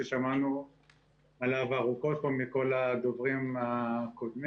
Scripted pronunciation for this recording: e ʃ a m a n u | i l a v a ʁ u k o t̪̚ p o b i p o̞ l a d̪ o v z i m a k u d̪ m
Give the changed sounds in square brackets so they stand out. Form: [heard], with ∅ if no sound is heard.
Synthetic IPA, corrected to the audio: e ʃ a m a n u | [a] l a v a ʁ u k o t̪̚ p o [m] i [k] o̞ l a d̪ o v [ʁ] i m a k [o] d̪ m